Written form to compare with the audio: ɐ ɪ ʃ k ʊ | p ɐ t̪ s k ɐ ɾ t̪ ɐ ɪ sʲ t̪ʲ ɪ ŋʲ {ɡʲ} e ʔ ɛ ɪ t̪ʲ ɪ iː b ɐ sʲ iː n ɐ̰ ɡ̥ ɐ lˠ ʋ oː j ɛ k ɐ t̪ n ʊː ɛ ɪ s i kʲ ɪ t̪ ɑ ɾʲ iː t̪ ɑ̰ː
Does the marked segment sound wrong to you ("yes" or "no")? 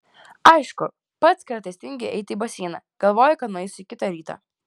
no